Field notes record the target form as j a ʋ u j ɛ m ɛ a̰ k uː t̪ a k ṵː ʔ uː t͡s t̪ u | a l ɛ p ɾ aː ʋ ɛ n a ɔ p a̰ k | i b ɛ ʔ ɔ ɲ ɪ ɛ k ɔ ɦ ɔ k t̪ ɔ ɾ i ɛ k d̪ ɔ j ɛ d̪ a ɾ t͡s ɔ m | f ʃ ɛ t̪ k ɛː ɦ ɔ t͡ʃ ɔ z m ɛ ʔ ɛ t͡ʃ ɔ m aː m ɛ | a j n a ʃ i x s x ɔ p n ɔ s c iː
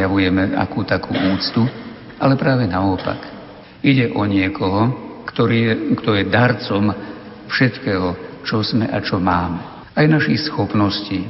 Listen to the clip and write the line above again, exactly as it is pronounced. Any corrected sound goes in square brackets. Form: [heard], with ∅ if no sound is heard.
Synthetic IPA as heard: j a ʋ u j ɛ m ɛ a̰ k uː t̪ a k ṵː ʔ uː t͡s t̪ u | a l ɛ p ɾ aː ʋ ɛ n a ɔ p a̰ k | i [ɟ] ɛ ʔ ɔ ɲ ɪ ɛ k ɔ ɦ ɔ k t̪ ɔ ɾ i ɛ k [t̪] ɔ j ɛ d̪ a ɾ t͡s ɔ m | f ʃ ɛ t̪ k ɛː ɦ ɔ t͡ʃ ɔ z m ɛ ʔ [a] t͡ʃ ɔ m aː m ɛ | a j n a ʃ i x s x ɔ p n ɔ s c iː